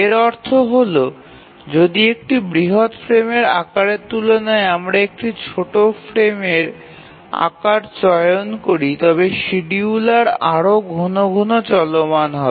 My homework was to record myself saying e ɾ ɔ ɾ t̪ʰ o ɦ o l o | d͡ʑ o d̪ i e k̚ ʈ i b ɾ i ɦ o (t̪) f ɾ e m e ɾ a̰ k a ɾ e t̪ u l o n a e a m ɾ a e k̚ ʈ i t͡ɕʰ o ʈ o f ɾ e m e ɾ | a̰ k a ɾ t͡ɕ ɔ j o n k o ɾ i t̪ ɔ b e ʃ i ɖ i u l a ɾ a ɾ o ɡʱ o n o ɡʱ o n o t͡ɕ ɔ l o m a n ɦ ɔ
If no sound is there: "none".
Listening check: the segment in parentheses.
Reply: t̪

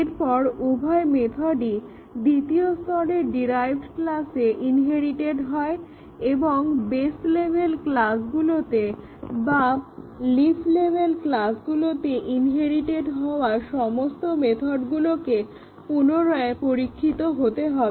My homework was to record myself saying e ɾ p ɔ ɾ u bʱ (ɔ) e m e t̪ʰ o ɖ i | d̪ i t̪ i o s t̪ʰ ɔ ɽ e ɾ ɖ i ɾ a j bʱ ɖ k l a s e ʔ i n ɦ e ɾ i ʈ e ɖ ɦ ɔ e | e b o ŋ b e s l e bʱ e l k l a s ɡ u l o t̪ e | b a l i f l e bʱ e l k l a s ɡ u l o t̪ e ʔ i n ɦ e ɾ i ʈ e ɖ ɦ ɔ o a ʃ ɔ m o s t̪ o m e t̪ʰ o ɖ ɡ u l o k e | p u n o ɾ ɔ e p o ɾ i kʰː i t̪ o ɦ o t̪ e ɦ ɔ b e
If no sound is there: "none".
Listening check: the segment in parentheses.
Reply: ɔ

